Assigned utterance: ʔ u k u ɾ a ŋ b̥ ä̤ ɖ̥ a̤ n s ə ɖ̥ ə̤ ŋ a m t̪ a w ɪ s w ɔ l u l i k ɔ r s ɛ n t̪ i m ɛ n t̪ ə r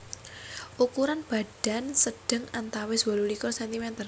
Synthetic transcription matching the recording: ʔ u k u ɾ a n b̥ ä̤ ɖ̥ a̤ n s ə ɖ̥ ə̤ ŋ a n t̪ a w ɪ s w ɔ l u l i k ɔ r s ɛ n t̪ i m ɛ n t̪ ə r